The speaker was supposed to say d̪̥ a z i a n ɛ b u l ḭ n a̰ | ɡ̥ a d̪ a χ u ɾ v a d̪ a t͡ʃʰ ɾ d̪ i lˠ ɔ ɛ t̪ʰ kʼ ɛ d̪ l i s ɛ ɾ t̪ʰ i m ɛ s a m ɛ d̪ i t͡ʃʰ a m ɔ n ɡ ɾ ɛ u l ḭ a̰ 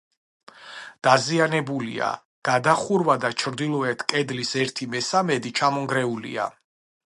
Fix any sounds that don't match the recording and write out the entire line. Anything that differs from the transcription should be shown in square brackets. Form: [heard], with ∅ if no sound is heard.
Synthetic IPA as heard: d̪̥ a z i a n ɛ b u l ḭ [∅] a̰ | ɡ̥ a d̪ a χ u ɾ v a d̪ a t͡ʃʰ ɾ d̪ i lˠ ɔ ɛ t̪ʰ kʼ ɛ d̪ l i s ɛ ɾ t̪ʰ i m ɛ s a m ɛ d̪ i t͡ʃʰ a m ɔ [ŋ] ɡ ɾ ɛ u l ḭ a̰